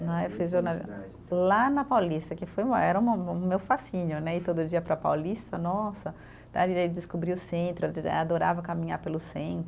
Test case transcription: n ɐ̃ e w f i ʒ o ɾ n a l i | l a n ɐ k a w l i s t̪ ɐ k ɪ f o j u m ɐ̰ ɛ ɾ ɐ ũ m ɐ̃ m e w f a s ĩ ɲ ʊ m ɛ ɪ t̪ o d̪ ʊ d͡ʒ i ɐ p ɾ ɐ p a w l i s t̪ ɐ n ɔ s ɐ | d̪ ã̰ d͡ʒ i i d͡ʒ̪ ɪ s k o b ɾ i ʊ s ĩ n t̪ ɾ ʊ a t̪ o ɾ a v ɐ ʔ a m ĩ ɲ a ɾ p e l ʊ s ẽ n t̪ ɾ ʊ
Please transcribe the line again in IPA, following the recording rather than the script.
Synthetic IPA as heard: n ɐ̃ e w f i ʒ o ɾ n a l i | l a n ɐ p a w l i s t̪ ɐ k ɪ f o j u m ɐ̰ ɛ ɾ ɐ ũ m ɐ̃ m e w f a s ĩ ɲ ʊ n ɛ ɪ t̪ o d̪ ʊ d͡ʒ i ɐ p ɾ ɐ p a w l i s t̪ ɐ n ɔ s ɐ | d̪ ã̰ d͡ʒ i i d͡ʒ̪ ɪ s k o b ɾ i ʊ s ẽ n t̪ ɾ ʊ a d̪ o ɾ a v ɐ k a m ĩ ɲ a ɾ p e l ʊ s ẽ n t̪ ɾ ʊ